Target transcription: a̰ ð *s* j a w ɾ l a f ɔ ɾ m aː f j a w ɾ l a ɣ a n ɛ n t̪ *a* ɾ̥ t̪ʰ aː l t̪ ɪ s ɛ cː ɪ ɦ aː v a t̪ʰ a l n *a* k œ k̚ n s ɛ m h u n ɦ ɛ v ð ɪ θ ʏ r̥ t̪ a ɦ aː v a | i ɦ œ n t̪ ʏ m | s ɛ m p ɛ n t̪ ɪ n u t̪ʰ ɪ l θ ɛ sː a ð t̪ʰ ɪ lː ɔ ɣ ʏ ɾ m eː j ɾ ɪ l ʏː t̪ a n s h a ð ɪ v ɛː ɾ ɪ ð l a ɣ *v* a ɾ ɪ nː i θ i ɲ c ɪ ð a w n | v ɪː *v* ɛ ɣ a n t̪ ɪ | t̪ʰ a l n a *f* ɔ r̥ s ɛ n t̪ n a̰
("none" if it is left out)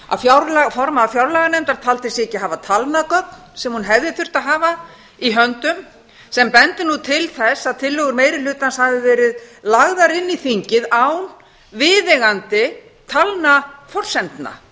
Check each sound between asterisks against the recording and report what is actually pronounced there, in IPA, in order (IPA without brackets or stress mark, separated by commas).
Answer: f, a, a, ð, ð, f